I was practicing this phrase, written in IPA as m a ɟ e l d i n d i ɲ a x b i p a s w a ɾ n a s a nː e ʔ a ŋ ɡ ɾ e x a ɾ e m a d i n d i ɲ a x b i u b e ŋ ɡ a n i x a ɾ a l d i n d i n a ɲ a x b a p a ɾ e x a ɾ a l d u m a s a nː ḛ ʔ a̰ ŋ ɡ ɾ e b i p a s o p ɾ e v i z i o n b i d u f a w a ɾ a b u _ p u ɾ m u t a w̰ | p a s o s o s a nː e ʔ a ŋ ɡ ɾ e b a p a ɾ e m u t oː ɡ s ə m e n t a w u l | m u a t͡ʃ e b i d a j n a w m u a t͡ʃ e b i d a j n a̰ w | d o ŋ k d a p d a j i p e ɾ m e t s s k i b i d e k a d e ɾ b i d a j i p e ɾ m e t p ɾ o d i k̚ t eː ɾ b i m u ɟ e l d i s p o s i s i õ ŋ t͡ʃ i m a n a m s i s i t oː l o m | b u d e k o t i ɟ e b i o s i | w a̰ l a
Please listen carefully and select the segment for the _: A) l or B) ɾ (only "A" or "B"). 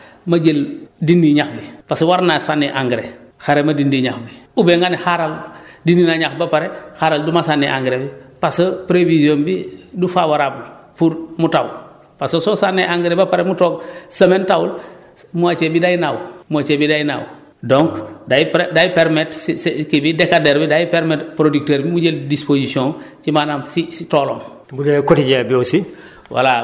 A